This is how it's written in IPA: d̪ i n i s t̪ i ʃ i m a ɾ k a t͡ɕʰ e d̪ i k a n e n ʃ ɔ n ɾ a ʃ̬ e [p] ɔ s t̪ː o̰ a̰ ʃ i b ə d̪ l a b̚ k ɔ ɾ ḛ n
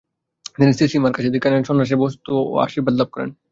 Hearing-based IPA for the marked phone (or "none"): b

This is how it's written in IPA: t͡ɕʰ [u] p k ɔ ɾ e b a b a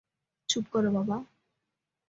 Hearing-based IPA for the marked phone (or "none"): u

